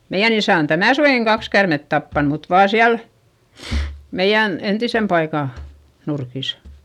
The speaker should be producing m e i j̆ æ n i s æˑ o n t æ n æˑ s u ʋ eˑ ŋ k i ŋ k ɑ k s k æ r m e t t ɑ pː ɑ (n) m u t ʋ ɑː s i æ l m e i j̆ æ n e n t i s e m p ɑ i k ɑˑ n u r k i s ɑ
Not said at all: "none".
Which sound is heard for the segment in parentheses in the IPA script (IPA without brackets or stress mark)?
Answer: n